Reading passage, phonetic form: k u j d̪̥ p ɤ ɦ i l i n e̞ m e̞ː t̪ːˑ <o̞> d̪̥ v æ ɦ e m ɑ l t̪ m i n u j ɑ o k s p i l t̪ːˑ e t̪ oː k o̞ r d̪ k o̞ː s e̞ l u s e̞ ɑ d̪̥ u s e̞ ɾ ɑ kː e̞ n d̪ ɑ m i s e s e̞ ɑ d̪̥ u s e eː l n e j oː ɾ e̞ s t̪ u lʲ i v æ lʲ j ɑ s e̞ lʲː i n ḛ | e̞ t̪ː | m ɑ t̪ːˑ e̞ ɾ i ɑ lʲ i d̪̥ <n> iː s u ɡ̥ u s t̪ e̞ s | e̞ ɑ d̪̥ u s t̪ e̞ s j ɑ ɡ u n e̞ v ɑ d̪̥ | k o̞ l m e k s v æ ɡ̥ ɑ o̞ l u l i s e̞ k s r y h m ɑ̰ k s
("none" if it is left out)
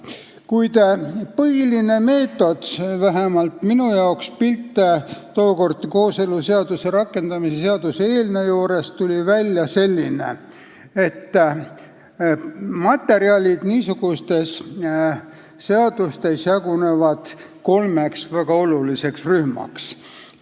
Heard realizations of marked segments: o̞, n

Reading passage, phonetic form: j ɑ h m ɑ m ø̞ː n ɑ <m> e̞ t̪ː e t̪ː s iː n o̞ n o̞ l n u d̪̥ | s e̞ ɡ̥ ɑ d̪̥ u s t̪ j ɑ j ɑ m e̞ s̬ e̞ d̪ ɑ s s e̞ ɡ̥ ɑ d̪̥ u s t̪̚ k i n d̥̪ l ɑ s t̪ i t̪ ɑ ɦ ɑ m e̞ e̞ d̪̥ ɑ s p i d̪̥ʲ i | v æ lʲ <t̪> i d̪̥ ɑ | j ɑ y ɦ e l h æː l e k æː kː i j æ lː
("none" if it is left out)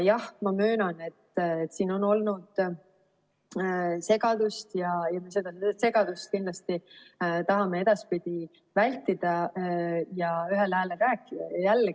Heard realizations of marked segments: n, t̪

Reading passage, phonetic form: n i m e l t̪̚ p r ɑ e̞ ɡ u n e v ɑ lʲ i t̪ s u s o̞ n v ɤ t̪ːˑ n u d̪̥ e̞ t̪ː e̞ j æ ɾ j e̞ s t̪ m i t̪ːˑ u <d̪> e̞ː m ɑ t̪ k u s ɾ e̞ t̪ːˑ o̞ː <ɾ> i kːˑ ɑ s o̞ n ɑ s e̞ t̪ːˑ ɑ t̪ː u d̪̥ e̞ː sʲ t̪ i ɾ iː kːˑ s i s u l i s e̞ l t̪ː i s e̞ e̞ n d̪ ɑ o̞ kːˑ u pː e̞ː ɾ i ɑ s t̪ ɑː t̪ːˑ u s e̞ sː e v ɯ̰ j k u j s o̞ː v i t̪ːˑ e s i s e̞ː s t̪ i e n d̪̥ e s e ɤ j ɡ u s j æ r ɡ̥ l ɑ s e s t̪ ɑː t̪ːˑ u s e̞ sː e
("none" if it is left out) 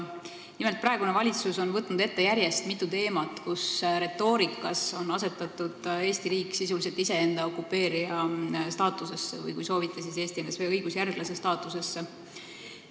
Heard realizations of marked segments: t̪, ɾ

